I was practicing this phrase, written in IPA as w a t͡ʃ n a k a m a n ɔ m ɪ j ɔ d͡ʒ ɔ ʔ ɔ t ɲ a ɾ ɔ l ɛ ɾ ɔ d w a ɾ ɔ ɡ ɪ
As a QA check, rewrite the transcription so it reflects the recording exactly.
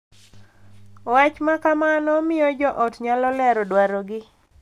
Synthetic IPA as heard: w a t͡ʃ m a k a m a n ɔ m ɪ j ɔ d͡ʒ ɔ ʔ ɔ t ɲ a l ɔ l ɛ ɾ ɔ d w a ɾ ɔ ɡ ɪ